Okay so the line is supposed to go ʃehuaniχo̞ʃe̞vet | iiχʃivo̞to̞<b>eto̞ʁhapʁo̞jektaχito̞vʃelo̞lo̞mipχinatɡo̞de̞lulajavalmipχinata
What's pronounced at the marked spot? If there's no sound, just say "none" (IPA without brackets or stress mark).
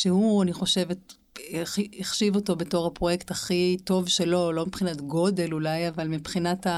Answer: b